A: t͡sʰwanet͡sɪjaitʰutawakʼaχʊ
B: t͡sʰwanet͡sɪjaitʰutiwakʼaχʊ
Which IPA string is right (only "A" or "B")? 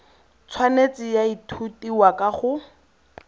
B